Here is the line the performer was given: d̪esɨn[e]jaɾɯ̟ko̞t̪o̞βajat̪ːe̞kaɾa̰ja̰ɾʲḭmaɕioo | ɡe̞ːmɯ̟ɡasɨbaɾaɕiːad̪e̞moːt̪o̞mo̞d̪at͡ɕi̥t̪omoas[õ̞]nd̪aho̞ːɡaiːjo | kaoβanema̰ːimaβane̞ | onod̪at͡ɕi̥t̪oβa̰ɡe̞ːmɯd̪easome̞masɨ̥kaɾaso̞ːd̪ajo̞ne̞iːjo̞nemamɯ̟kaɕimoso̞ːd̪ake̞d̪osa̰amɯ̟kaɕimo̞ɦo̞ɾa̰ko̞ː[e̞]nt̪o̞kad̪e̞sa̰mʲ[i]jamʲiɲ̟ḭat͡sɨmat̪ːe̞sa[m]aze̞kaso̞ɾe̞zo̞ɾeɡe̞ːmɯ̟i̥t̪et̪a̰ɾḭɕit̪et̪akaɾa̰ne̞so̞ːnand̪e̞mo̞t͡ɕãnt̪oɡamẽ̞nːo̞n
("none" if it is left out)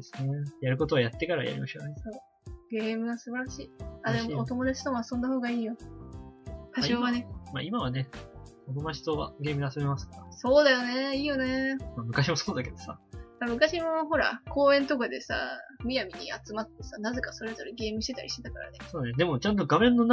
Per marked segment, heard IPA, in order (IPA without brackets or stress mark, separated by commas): e, õ̞, ẽ̞, i, n